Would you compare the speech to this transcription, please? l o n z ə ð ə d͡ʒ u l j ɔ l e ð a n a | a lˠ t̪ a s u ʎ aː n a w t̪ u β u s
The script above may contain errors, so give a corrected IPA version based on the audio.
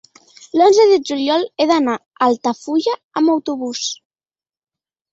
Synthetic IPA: l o n z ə ð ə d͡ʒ u l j ɔ l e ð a n a | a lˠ t̪ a f u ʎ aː m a w t̪ u β u s